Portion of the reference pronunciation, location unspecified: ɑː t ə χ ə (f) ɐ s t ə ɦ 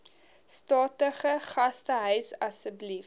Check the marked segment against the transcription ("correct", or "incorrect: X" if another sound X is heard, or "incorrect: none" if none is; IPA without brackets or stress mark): incorrect: χ